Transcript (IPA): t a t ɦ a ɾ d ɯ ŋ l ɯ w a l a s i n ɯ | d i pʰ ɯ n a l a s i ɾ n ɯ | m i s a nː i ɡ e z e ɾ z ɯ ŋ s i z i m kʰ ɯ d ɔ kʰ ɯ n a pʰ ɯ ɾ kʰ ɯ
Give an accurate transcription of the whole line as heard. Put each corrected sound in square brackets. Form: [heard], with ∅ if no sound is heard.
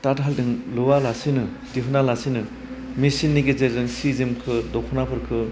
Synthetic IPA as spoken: t a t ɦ a [l] d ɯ ŋ l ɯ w a l a s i n ɯ | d i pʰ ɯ n a l a s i [∅] n ɯ | m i s [i] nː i ɡ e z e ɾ z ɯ ŋ s i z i m kʰ ɯ d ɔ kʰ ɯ n a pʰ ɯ ɾ kʰ ɯ